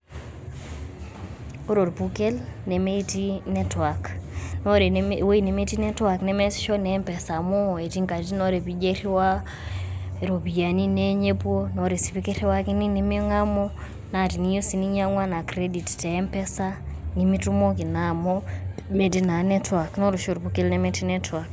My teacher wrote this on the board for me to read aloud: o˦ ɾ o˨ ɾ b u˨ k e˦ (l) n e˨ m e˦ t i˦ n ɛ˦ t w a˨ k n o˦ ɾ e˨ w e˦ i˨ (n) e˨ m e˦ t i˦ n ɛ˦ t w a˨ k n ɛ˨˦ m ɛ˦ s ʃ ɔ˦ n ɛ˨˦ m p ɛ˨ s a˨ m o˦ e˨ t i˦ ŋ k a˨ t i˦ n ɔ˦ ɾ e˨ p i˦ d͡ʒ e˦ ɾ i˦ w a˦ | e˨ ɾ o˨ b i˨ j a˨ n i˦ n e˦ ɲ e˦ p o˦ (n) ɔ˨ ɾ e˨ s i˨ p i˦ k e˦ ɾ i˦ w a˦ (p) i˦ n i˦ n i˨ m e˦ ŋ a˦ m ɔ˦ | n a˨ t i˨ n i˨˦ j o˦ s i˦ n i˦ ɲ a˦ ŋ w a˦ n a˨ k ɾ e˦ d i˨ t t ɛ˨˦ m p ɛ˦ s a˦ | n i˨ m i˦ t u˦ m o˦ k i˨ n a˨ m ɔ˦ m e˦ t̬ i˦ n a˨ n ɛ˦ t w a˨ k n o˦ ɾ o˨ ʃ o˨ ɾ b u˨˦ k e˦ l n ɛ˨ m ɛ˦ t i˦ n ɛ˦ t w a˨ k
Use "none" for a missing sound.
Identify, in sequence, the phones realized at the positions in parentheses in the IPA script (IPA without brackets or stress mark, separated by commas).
l, n, n, k